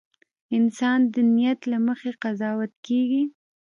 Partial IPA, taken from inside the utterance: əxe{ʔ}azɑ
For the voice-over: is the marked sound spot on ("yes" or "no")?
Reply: no